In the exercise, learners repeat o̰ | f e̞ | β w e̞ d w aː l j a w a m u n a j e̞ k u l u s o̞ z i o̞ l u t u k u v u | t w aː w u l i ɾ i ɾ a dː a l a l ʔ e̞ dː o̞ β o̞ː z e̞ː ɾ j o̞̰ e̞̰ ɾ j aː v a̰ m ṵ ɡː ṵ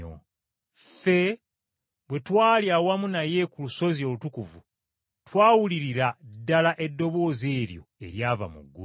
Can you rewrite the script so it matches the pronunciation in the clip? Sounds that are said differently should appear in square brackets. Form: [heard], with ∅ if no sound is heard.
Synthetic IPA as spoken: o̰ | f e̞ | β w e̞ [t] w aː l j a w a m u n a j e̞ k u l u s o̞ z i o̞ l u t u k u v u | t w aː w u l i ɾ i ɾ a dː a l a [∅] ʔ e̞ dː o̞ β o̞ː z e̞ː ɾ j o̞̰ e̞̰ ɾ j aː v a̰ m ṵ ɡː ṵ